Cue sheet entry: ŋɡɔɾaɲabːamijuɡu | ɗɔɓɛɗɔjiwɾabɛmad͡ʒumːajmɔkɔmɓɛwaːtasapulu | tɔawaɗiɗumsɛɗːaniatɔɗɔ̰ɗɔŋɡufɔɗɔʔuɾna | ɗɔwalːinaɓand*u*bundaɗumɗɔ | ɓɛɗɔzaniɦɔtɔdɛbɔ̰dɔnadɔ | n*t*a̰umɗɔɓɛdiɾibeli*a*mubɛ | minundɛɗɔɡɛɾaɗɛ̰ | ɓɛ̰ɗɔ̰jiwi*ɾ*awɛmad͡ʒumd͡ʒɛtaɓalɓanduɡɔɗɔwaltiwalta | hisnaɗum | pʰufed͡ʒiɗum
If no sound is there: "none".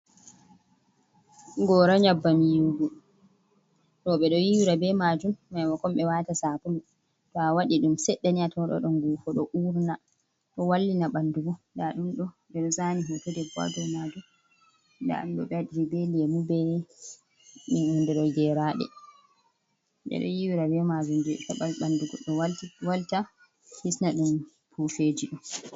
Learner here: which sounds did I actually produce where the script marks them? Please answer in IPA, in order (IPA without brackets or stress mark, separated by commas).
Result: u, d, ɛ, ɾ